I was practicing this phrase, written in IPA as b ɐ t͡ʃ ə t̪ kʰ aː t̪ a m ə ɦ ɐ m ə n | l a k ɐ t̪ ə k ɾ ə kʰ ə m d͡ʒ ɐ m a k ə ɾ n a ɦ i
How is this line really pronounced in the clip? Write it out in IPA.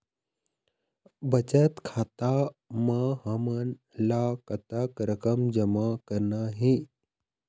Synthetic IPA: b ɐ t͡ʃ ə t̪ kʰ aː t̪ a m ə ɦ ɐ m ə n | l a k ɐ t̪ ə k ɾ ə k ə m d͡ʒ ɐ m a k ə ɾ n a ɦ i